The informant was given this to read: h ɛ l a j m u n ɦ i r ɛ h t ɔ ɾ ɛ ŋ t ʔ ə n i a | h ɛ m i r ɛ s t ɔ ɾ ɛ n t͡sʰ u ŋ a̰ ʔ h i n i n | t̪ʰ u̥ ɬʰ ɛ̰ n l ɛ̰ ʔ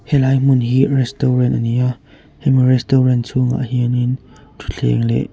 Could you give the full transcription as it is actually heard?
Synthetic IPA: h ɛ l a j m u n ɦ i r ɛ s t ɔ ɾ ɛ n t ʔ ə n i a | h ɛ m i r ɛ s t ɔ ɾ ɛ n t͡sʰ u ŋ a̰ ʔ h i n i n | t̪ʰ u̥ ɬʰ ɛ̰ ŋ l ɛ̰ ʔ